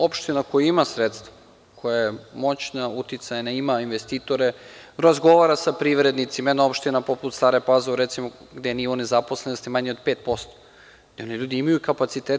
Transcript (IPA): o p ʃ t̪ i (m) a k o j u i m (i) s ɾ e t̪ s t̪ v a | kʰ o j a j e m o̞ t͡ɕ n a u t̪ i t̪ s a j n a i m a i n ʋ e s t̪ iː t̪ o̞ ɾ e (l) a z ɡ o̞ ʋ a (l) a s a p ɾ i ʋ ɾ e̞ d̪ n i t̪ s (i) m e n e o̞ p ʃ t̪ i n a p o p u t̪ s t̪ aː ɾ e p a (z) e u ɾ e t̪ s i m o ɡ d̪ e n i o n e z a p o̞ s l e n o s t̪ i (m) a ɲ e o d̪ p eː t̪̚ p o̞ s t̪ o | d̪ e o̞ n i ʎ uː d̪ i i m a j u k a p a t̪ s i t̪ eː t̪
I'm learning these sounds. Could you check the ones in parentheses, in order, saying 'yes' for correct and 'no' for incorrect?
no, no, no, no, yes, yes, yes

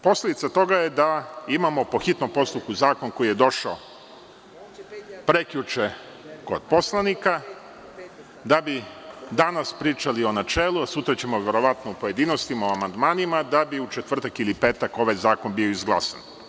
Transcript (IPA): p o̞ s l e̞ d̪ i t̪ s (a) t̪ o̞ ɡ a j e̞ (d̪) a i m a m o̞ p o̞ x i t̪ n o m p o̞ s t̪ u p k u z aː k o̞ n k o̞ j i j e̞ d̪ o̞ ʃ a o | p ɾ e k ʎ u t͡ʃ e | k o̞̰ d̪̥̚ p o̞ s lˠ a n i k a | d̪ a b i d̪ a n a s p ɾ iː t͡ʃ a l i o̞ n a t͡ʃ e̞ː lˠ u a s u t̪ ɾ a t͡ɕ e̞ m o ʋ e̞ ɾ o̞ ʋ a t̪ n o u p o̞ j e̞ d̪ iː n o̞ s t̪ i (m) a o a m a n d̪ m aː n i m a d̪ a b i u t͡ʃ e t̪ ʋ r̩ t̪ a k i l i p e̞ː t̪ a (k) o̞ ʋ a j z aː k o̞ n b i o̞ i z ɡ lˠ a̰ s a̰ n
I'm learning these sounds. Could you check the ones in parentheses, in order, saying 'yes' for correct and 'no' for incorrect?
yes, yes, yes, yes

